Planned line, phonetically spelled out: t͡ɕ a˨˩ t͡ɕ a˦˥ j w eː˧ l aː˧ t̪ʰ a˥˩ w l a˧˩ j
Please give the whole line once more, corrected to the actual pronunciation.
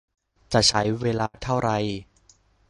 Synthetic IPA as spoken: t͡ɕ a˨˩ t͡ɕʰ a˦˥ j w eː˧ l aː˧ t̪ʰ a˥˩ w ɾ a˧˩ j